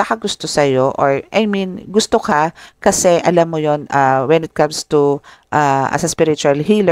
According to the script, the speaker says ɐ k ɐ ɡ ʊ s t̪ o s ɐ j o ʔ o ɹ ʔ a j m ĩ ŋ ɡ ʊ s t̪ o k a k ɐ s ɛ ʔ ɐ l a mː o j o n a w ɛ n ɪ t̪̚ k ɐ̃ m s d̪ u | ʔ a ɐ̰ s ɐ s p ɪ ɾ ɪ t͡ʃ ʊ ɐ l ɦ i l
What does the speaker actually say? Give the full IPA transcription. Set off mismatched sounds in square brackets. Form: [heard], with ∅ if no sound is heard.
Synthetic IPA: ɐ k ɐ ɡ ʊ s t̪ o s ɐ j o ʔ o ɹ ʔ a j m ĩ [n] ɡ ʊ s t̪ o k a k ɐ s ɛ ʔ ɐ l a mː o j o n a w ɛ n ɪ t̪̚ k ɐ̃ m s [t̪] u | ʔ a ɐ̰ s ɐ s p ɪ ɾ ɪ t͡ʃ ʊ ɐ l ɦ i l